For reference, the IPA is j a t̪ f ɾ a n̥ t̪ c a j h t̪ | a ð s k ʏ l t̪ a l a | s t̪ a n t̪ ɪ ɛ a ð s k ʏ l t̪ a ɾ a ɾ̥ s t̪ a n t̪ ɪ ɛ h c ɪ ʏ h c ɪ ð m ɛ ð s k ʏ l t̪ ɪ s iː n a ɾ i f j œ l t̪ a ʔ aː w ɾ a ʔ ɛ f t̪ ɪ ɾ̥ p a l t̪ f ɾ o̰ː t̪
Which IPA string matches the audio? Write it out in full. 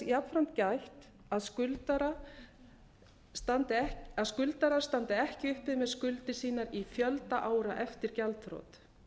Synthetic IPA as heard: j a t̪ f ɾ a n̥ t̪ c a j h t̪ | a ð s k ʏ l t̪ a ɾ a | s t̪ a n t̪ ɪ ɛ a ð s k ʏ l t̪ a ɾ a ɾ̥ s t̪ a n t̪ ɪ ɛ h c ɪ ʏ h p ɪ ð m ɛ ð s k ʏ l t̪ ɪ s iː n a ɾ i f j œ l t̪ a ʔ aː w ɾ a ʔ ɛ f t̪ ɪ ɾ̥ c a l t̪ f ɾ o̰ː t̪